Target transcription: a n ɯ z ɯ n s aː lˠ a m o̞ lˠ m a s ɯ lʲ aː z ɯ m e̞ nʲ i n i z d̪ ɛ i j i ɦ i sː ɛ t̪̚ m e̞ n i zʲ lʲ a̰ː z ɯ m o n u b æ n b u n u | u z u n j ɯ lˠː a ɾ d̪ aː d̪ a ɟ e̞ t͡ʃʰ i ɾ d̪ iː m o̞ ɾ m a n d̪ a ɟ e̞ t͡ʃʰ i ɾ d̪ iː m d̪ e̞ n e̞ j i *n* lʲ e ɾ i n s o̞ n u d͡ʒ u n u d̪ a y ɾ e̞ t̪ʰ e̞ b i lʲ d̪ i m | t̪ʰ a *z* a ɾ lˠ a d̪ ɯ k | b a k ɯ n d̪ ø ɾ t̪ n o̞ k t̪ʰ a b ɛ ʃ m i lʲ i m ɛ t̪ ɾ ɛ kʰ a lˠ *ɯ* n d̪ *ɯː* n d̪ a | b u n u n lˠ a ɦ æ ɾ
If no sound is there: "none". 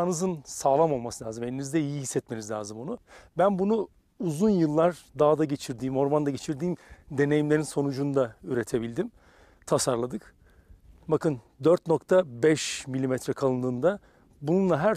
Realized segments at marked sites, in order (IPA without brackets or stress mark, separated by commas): m, s, ɯ, ɯː